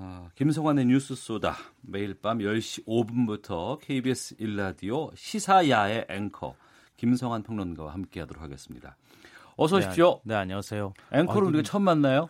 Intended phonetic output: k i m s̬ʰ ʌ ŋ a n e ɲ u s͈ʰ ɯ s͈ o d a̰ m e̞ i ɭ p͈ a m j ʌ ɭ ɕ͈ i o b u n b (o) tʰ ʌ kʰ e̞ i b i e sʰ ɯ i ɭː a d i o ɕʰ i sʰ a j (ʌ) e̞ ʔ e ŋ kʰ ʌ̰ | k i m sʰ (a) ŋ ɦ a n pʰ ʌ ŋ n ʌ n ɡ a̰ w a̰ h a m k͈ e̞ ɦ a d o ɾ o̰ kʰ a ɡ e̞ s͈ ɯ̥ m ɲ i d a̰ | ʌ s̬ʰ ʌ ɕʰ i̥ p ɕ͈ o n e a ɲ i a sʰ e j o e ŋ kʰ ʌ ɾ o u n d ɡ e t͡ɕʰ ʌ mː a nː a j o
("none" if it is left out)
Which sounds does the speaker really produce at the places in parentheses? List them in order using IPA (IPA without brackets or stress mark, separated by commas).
u, a, ʌ